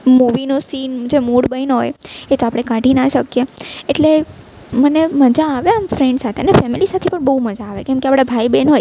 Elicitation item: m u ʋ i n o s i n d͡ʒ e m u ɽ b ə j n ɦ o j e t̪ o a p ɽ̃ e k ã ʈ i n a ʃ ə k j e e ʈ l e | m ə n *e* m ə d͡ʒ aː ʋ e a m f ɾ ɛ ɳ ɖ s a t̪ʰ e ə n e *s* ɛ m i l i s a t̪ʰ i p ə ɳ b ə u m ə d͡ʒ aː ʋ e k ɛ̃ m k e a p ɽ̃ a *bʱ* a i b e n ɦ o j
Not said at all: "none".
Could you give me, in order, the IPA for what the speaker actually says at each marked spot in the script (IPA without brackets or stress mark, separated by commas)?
e, f, bʱ